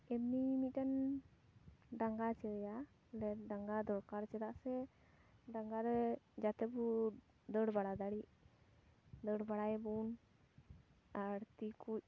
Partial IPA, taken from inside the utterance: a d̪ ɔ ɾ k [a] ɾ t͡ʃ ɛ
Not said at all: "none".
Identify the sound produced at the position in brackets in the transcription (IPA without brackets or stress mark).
a